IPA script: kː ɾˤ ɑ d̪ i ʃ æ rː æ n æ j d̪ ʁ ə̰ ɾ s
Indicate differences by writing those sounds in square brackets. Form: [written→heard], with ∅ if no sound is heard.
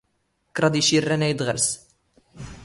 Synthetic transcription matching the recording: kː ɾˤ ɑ d̪ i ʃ [æ→i] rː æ n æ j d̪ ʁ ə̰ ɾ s